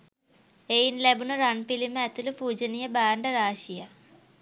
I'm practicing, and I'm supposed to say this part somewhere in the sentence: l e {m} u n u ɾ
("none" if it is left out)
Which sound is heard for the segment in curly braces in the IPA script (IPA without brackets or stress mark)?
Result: b